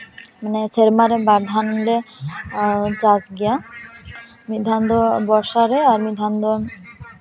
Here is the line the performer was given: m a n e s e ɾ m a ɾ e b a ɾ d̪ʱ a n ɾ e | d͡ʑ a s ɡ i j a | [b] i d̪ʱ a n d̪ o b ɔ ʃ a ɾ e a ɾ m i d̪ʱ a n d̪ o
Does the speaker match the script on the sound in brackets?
no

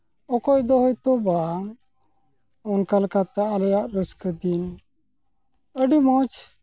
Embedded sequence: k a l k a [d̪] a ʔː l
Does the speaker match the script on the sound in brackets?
no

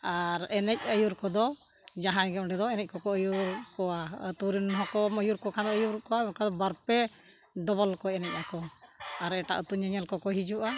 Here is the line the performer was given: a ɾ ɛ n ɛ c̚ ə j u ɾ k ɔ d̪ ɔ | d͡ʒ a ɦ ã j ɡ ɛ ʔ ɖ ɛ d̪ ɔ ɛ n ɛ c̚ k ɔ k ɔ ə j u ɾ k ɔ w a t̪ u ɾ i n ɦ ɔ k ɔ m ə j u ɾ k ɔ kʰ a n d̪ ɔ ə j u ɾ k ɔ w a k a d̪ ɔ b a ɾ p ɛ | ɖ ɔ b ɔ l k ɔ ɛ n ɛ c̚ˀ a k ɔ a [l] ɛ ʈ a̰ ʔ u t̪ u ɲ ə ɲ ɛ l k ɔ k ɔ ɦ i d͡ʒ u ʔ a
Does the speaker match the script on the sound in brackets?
no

